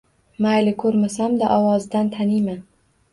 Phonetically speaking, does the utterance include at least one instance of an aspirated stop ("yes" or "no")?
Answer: yes